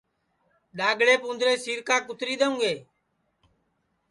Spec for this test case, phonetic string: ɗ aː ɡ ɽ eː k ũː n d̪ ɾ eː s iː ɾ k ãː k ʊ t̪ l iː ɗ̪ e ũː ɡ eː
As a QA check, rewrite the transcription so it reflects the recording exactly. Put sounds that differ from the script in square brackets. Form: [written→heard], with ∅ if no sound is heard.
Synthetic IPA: ɗ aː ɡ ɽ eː [k→p] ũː n d̪ ɾ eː s iː ɾ k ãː k ʊ t̪ [l→ɾ] iː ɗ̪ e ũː ɡ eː